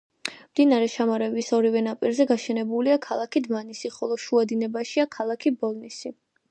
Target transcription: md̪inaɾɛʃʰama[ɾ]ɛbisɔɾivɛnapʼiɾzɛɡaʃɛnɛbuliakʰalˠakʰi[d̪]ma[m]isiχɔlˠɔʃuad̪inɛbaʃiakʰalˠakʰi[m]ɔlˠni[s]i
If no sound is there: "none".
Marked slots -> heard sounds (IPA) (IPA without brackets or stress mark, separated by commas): ɾ, d̪, n, b, s